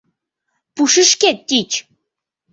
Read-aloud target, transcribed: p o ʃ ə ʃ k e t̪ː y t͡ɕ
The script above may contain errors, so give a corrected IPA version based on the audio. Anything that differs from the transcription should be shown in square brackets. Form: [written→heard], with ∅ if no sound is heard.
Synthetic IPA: p [o→u] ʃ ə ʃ k e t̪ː [y→i] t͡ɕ